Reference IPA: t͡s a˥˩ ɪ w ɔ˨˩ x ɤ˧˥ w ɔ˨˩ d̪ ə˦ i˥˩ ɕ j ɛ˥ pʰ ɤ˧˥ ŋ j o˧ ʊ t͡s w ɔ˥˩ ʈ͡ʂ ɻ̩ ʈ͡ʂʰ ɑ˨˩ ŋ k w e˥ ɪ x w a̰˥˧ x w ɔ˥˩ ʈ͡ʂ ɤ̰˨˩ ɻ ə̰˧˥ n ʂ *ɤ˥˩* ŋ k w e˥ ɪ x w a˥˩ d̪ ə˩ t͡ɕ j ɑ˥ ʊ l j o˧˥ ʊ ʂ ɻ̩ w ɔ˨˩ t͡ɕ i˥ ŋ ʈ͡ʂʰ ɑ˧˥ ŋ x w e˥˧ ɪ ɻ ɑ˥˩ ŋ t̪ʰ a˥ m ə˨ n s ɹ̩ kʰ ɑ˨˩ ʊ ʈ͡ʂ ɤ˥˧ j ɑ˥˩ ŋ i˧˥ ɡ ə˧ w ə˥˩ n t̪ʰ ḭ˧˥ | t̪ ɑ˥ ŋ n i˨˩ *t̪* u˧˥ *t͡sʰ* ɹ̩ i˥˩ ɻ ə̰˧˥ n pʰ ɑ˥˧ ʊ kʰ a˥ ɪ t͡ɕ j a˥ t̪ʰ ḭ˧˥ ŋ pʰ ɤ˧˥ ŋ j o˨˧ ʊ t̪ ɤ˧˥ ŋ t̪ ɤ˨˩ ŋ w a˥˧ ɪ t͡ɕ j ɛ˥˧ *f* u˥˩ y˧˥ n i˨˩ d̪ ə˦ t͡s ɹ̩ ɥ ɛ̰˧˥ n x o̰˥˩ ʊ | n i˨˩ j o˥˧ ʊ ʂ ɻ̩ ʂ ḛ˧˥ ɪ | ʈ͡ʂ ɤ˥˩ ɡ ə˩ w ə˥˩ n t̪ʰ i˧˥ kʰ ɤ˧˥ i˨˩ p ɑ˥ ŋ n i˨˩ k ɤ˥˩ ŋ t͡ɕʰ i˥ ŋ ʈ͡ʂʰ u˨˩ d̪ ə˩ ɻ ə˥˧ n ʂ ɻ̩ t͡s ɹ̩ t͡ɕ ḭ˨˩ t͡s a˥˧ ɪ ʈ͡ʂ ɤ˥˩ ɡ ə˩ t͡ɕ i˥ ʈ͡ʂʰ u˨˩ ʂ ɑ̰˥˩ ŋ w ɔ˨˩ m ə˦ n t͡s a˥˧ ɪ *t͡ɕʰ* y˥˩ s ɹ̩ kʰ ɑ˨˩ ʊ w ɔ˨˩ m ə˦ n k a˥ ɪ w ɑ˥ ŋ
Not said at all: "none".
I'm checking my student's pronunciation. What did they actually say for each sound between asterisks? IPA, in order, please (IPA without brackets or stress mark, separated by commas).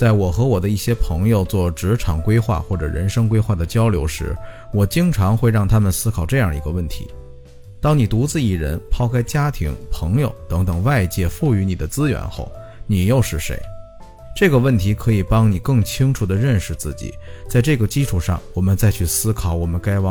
ɤ˥, t̪, t͡s, f, t͡ɕʰ